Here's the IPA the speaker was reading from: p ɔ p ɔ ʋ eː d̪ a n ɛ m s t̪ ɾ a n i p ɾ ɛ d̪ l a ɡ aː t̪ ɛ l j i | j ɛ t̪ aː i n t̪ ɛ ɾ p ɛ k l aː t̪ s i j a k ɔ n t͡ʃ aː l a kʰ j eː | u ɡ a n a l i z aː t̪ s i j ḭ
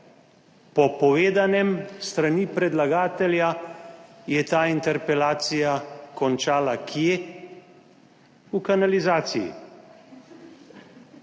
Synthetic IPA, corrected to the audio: p ɔ p ɔ ʋ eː d̪ a n ɛ m s t̪ ɾ a n i p ɾ ɛ d̪ l a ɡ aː t̪ ɛ l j a | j ɛ t̪ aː i n t̪ ɛ ɾ p ɛ l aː t̪ s i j a k ɔ n t͡ʃ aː l a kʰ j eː | u k a n a l i z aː t̪ s i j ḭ

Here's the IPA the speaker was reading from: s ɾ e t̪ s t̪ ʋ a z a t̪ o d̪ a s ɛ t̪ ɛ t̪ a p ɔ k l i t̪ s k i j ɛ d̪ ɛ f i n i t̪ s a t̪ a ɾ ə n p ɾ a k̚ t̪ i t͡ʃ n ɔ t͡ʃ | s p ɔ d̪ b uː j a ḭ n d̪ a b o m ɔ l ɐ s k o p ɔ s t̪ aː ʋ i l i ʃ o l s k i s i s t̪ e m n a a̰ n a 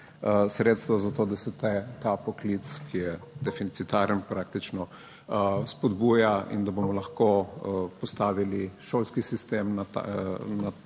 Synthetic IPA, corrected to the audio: s ɾ e t̪ s t̪ ʋ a z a t̪ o d̪ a s ɛ t̪ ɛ t̪ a p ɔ k l i t̪ s k i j ɛ d̪ ɛ f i n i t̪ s i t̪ a ɾ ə n p ɾ a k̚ t̪ i t͡ʃ n ɔ | s p ɔ d̪ b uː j a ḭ n d̪ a b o m ɔ l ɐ x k o p ɔ s t̪ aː ʋ i l i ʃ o l s k i s i s t̪ e m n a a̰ n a

